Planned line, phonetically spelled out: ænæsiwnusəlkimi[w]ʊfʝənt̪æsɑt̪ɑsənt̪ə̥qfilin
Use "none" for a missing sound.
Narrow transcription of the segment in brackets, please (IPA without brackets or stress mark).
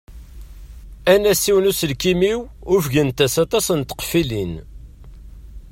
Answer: w